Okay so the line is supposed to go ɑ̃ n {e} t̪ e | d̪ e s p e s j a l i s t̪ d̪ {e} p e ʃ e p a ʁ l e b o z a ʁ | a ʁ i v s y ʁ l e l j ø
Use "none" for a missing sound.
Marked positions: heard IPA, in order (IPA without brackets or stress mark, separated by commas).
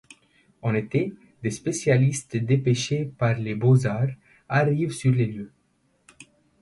e, e